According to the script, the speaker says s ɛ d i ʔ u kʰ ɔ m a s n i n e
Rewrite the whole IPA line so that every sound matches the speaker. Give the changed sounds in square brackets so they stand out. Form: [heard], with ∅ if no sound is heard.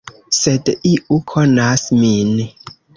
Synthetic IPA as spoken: s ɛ d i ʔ u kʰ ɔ [n] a s [m] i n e